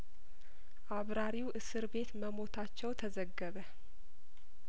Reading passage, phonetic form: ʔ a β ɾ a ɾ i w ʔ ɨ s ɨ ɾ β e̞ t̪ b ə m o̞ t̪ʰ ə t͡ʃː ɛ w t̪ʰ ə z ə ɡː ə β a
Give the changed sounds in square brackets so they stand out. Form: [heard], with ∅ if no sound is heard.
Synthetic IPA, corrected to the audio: ʔ a β ɾ a ɾ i w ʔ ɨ s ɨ ɾ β e̞ t̪ [m] ə m o̞ t̪ʰ [a] t͡ʃː ɛ w t̪ʰ ə z ə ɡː ə β [ə]